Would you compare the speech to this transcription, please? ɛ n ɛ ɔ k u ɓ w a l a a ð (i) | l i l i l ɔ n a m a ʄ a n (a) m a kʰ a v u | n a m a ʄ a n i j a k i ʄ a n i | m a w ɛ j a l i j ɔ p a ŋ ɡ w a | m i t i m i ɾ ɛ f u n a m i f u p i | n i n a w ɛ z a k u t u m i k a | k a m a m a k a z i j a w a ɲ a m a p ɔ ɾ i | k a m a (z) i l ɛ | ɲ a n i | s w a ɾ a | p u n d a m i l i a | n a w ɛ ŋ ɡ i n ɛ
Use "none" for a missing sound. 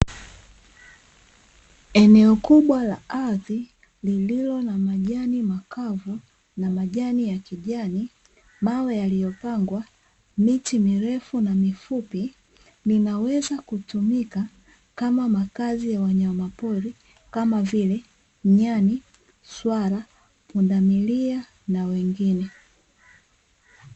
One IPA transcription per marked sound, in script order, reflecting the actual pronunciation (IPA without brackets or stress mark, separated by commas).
i, i, v